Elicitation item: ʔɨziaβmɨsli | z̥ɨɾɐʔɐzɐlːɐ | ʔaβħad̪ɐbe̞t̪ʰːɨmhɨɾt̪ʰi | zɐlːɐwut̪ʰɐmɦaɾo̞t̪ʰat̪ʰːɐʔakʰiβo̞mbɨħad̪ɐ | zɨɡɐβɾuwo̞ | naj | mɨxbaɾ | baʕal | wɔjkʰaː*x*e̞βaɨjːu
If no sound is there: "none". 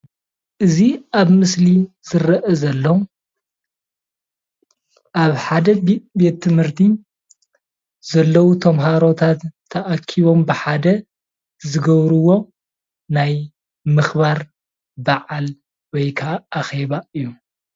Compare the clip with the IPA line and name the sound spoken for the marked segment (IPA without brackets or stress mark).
x